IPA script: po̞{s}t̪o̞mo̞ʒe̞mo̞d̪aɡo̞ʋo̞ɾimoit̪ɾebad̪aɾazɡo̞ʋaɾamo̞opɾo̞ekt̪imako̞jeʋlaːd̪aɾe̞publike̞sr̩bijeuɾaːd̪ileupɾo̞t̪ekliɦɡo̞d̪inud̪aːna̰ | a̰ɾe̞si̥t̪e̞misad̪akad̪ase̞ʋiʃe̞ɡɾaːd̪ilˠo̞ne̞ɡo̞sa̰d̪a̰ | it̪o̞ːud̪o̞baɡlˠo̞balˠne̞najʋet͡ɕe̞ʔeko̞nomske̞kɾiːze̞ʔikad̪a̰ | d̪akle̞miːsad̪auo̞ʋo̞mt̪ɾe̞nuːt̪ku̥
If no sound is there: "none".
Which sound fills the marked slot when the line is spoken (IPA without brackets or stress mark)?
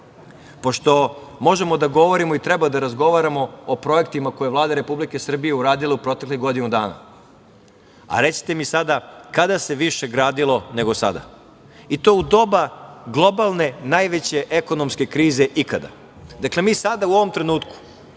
ʃ